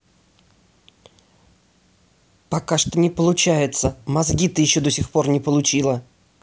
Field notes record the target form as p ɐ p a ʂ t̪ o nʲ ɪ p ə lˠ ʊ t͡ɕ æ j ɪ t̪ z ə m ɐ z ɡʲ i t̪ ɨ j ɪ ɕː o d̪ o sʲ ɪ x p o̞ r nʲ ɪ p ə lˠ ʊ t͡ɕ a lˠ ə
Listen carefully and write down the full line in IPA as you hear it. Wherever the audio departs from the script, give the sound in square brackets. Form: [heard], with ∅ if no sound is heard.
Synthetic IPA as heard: p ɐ [k] a ʂ t̪ o nʲ ɪ p ə lˠ ʊ t͡ɕ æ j ɪ t̪ [s] ə m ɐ z ɡʲ i t̪ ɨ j ɪ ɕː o d̪ o sʲ ɪ x p o̞ r nʲ ɪ p ə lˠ ʊ t͡ɕ [i] lˠ ə